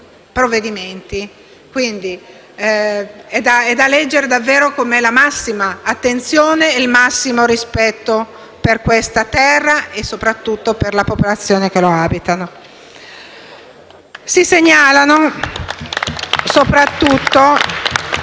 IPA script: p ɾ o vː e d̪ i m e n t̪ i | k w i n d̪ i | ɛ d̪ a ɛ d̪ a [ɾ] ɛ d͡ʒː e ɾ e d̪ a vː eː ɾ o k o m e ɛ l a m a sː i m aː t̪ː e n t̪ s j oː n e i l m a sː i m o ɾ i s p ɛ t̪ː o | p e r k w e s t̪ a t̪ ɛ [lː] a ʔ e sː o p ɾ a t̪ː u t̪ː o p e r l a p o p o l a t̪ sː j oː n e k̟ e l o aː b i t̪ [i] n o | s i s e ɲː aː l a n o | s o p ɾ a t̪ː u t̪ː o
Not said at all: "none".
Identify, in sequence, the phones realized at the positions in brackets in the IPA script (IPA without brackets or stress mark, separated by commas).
l, rː, a